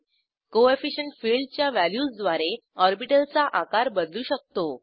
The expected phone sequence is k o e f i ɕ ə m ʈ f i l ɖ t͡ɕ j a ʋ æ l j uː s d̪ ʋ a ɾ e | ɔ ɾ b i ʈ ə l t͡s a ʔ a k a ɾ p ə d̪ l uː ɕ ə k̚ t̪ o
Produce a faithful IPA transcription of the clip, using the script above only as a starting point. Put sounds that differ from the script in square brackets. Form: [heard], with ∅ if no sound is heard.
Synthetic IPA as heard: k o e f i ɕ ə [ɳ] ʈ f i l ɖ t͡ɕ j a ʋ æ l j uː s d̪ ʋ a ɾ e | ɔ ɾ b i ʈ ə l t͡s a ʔ a k a ɾ [b] ə d̪ l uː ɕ ə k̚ t̪ o